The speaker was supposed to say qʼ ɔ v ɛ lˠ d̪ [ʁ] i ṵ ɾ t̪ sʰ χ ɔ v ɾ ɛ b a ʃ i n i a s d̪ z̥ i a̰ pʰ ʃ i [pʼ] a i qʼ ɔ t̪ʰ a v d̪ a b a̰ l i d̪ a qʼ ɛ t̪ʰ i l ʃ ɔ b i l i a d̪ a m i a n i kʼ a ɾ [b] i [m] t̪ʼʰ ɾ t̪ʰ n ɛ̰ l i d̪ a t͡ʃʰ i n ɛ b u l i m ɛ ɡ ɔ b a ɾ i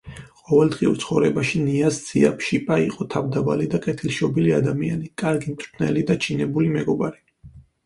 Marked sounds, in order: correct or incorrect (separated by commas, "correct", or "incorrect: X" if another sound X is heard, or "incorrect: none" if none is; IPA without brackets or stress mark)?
correct, correct, incorrect: ɡ, correct